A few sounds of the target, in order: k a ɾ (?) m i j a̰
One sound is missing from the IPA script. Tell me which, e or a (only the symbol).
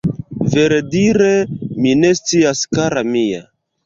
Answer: a